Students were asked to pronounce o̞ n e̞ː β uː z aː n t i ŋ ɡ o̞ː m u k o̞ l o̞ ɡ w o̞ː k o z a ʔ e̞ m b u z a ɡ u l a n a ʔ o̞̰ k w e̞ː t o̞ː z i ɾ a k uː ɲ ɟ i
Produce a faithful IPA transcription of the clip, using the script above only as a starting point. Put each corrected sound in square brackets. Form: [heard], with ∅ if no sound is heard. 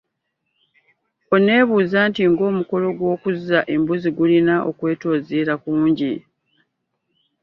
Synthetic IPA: o̞ n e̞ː β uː z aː n t i ŋ ɡ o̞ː m u k o̞ l o̞ ɡ w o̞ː k [u] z a ʔ e̞ m b u z [i] ɡ u l [i] n a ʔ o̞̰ k w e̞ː t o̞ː z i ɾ a k uː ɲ ɟ i

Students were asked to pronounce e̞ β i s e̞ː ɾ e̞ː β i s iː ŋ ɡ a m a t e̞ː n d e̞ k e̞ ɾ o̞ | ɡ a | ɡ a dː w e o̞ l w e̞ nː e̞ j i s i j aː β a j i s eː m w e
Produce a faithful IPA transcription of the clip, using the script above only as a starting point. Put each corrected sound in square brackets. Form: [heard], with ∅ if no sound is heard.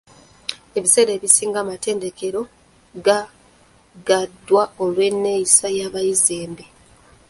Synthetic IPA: e̞ β i s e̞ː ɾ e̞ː β i s iː ŋ ɡ a m a t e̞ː n d e̞ k e̞ ɾ o̞ | ɡ a | ɡ a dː w [a] o̞ l w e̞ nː e̞ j i s [a] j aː β a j i [z] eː m [b] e

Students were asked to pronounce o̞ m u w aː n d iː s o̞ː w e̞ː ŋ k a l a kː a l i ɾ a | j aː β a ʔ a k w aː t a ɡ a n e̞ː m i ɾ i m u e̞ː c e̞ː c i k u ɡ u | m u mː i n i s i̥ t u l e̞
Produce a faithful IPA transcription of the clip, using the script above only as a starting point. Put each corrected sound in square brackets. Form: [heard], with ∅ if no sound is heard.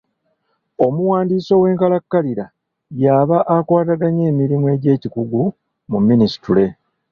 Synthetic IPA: o̞ m u w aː n d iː s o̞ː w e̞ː ŋ k a l a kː a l i ɾ a | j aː β a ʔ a k w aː t a ɡ a [ɲ] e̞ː m i ɾ i m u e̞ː [ɟ] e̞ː c i k u ɡ u | m u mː i n i s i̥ t u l e̞

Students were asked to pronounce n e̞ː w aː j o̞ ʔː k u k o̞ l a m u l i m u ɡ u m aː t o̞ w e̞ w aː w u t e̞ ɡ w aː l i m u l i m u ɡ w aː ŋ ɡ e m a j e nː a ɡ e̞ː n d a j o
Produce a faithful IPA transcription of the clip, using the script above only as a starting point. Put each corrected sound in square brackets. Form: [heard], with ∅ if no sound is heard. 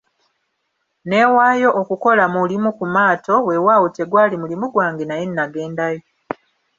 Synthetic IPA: n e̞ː w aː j o̞ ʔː k u k o̞ l a m u l i m u [k] u m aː t o̞ w e̞ w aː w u t e̞ ɡ w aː l i m u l i m u ɡ w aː ŋ ɡ e [n] a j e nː a ɡ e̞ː n d a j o

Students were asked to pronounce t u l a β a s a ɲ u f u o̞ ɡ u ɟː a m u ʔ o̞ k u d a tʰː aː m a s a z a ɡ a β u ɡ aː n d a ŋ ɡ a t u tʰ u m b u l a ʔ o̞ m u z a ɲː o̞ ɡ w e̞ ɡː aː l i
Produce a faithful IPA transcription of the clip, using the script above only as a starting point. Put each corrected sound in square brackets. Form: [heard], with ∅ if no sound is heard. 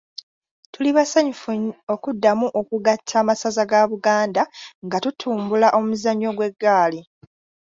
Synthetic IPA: t u l [i] β a s a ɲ u f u o̞ [k] u [dː] a m u ʔ o̞ k u [ɡ] a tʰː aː m a s a z a ɡ a β u ɡ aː n d a ŋ ɡ a t u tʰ [uː] m b u l a ʔ o̞ m u z a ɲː o̞ ɡ w e̞ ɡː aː l i

